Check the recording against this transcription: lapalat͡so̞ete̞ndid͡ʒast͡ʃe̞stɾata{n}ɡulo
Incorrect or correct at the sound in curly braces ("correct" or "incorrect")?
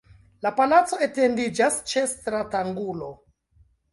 incorrect